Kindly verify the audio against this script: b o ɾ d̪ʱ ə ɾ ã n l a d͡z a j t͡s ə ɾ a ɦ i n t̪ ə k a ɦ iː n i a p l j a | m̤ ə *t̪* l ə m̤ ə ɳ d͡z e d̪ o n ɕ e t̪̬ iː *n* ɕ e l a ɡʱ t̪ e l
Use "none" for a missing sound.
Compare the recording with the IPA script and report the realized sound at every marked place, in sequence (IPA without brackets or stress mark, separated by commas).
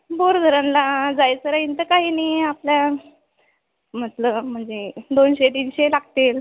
t̪, n